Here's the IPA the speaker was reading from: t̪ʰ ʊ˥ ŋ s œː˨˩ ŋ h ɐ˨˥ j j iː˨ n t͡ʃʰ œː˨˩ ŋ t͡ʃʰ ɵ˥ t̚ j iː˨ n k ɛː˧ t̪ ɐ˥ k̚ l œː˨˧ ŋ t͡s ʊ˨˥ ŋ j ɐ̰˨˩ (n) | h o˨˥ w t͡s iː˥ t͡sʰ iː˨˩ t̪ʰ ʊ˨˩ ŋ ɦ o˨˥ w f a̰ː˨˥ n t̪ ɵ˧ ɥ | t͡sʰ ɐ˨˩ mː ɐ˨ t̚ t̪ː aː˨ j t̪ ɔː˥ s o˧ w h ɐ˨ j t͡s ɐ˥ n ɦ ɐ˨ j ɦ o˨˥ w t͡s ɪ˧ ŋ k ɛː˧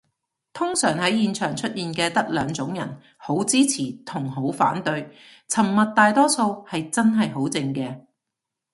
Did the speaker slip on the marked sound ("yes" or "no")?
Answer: no